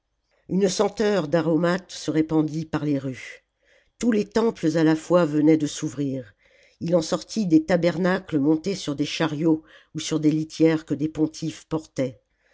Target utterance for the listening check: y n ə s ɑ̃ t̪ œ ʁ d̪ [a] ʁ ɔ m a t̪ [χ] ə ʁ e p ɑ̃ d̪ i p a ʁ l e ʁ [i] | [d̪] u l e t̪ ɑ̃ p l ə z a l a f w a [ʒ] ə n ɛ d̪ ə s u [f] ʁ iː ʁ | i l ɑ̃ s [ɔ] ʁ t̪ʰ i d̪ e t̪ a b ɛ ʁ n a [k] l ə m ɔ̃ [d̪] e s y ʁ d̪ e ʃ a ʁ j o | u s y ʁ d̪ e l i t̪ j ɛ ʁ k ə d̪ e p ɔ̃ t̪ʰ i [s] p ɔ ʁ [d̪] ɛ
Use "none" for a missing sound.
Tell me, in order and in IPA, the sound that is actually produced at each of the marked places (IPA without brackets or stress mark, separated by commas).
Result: a, s, y, t̪, v, v, ɔ, k, t̪, f, t̪